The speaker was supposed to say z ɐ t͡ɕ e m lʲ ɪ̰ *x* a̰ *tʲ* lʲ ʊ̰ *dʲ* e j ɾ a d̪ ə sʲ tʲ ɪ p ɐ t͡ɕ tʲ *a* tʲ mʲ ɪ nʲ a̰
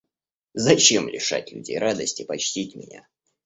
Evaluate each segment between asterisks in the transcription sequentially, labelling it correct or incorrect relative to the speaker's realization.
incorrect: ʂ, correct, correct, incorrect: i

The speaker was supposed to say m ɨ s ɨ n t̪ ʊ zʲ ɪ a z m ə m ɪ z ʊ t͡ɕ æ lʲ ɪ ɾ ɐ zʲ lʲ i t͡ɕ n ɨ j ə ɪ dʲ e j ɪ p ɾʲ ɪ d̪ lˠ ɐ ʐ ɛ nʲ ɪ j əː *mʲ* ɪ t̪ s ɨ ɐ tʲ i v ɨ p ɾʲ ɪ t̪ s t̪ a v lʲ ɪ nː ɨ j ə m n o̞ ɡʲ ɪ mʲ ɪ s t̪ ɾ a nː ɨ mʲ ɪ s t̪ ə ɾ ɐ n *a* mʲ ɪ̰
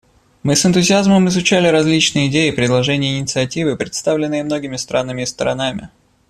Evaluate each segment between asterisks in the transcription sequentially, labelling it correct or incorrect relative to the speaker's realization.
incorrect: nʲ, correct

